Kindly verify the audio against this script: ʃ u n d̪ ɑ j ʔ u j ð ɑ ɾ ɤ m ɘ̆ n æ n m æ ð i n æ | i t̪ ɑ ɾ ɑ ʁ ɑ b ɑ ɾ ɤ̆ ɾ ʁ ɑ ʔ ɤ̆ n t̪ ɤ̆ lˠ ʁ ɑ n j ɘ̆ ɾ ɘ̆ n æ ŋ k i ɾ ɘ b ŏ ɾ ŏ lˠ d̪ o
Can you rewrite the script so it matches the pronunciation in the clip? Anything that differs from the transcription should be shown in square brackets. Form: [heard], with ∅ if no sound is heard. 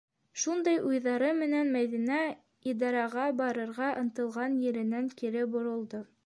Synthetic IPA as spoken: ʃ u n d̪ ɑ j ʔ u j ð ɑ ɾ ɤ m ɘ̆ n æ n m æ ð i n æ | i [d̪] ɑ ɾ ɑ ʁ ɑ b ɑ ɾ ɤ̆ ɾ ʁ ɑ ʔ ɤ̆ n t̪ ɤ̆ lˠ ʁ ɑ n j ɘ̆ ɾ ɘ̆ n æ ŋ k i ɾ ɘ b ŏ ɾ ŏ lˠ d̪ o